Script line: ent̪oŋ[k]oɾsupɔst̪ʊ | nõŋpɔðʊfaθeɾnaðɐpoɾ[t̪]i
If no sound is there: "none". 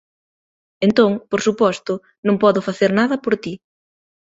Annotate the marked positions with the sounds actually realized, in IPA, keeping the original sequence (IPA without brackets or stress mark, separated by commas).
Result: p, t̪